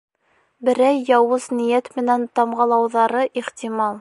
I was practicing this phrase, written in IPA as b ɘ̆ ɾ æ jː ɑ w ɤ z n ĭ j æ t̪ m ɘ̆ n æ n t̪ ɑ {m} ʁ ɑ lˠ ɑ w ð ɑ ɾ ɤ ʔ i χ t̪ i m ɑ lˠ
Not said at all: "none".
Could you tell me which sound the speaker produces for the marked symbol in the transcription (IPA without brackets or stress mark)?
m